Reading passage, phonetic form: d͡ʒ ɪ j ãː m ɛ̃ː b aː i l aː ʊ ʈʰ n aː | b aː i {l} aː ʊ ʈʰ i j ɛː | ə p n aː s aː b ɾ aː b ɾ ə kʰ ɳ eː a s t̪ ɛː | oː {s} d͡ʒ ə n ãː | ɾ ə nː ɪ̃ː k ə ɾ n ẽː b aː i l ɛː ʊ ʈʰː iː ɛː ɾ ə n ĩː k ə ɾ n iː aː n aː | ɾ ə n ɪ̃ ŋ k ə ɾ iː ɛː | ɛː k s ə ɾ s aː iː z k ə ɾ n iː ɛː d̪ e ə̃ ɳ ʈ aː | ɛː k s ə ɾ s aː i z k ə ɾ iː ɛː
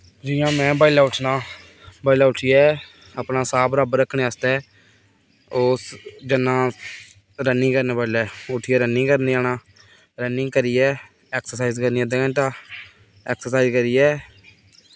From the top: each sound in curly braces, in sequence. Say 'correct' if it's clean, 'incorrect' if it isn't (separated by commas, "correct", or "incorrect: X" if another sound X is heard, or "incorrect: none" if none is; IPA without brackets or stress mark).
correct, correct